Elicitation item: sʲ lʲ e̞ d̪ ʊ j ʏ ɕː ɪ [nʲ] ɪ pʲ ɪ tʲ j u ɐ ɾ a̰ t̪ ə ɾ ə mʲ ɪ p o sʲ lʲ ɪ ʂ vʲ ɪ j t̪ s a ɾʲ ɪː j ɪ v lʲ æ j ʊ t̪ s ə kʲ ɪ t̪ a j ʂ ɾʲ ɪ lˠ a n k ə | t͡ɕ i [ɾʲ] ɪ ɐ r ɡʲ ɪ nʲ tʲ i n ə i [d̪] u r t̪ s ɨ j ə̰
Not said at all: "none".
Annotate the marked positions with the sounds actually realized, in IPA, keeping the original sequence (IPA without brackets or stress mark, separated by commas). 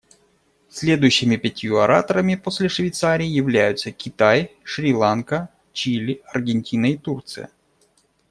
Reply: mʲ, lʲ, t̪